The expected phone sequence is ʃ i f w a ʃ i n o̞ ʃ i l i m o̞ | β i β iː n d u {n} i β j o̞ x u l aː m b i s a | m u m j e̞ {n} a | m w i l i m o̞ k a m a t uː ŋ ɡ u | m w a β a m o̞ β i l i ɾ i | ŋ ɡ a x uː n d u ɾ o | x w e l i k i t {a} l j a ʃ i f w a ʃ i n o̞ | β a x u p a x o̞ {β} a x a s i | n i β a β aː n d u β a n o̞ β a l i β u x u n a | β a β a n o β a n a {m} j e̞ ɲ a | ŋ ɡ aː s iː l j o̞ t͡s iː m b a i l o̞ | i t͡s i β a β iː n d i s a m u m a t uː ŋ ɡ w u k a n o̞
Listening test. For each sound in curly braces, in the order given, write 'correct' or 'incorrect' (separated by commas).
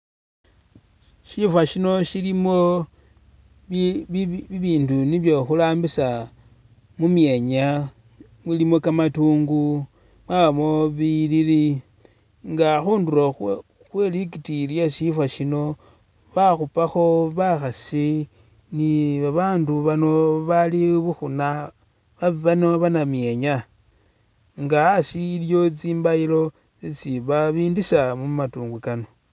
correct, incorrect, incorrect, correct, correct